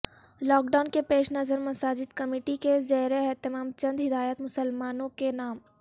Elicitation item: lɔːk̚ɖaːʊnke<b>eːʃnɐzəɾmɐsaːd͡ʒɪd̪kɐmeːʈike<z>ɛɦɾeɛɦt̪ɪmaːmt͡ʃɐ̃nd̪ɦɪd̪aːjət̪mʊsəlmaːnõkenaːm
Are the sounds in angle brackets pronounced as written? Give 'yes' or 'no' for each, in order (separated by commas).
no, yes